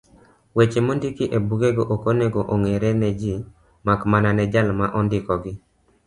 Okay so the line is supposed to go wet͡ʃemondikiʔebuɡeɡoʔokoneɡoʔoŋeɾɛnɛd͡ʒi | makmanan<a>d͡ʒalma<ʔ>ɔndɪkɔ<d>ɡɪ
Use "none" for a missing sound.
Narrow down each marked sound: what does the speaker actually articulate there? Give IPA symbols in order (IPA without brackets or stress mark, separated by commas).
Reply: ɛ, ʔ, none